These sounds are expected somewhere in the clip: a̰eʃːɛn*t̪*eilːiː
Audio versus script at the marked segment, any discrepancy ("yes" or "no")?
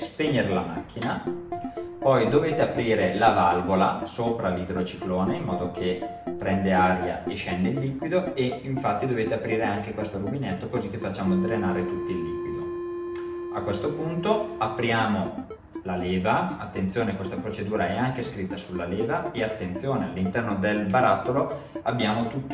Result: yes